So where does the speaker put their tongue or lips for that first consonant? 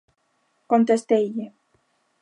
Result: velum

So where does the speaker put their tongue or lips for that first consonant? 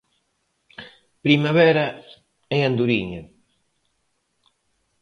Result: lips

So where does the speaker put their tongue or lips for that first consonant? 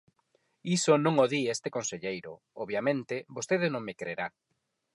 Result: tongue tip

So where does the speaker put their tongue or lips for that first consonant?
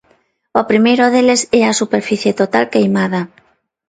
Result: lips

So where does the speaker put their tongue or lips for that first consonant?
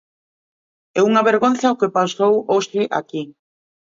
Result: velum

